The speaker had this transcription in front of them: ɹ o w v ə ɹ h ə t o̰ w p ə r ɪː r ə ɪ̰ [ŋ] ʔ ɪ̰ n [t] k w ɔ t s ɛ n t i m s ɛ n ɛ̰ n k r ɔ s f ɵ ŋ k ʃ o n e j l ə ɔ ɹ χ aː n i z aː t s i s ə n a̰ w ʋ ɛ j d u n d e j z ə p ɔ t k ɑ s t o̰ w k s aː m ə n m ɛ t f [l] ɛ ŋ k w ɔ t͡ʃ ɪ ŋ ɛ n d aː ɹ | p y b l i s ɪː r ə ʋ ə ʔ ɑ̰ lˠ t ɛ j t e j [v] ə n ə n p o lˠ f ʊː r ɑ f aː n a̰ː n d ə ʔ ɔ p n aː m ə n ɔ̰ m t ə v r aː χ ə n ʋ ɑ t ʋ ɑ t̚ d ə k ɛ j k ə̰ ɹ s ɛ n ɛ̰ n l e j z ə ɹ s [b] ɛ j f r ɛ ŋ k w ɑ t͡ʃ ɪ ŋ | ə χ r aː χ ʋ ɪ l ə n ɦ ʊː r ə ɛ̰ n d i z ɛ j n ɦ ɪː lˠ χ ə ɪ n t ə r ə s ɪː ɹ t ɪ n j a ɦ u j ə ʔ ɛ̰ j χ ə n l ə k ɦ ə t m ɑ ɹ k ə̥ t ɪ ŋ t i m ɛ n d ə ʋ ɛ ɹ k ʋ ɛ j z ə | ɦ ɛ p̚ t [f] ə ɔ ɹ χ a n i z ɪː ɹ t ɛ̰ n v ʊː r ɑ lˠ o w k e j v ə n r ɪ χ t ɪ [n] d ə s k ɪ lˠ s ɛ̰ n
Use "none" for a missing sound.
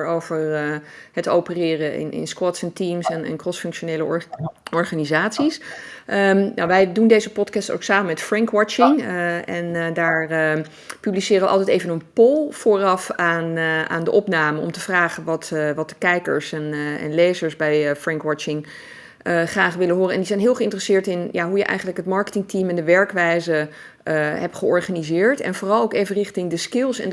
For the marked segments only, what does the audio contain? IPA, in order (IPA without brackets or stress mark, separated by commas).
n, s, r, v, b, χ, ŋ